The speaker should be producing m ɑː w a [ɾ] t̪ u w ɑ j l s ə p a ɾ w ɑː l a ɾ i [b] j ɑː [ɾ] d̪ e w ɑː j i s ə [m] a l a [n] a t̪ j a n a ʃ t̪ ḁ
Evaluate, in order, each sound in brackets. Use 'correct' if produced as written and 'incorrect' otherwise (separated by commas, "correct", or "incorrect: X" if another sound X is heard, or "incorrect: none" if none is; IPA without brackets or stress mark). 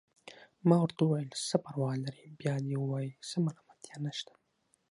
correct, correct, incorrect: none, correct, incorrect: m